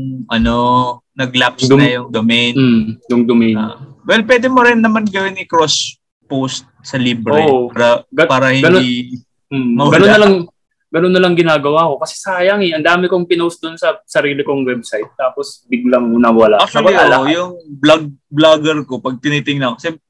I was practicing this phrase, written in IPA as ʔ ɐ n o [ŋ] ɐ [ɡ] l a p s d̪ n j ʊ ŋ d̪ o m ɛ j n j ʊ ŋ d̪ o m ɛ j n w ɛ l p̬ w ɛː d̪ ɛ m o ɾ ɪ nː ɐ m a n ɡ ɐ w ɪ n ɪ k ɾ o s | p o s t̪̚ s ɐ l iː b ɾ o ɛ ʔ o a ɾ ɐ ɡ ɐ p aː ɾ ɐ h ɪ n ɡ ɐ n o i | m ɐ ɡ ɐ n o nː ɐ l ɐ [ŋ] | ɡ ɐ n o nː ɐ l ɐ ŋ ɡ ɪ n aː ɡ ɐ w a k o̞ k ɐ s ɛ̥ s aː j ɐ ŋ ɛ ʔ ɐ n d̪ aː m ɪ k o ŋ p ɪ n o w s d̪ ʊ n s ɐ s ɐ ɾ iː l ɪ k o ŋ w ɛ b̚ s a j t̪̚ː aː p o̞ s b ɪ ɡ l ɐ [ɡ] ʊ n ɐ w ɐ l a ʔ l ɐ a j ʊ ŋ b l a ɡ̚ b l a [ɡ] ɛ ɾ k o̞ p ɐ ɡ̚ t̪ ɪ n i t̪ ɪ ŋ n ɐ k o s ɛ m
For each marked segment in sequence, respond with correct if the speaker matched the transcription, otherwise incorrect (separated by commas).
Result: incorrect, correct, correct, incorrect, correct